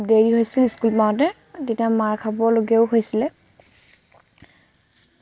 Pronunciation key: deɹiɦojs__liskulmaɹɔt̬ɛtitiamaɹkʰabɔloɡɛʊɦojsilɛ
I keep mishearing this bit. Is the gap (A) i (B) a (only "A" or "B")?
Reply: A